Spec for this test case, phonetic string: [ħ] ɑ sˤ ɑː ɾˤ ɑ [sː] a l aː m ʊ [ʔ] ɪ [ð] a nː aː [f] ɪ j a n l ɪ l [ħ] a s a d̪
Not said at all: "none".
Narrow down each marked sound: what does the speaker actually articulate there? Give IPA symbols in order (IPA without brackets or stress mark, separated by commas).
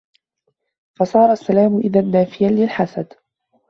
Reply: f, sː, ʔ, ð, f, ħ